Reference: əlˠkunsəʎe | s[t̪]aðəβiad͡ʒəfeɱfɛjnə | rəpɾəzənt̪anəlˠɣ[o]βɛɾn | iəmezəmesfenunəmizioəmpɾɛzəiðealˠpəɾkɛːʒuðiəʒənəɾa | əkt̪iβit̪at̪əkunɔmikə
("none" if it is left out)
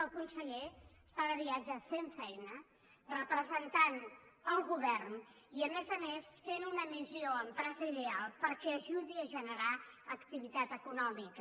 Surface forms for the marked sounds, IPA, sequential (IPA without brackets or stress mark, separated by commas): t̪, u